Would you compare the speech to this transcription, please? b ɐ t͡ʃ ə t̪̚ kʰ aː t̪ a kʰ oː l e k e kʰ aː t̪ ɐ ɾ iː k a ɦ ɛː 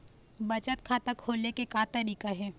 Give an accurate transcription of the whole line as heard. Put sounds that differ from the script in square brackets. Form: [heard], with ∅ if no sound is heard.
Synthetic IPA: b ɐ t͡ʃ ə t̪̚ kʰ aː t̪ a kʰ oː l e k e [k] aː t̪ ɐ ɾ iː k a ɦ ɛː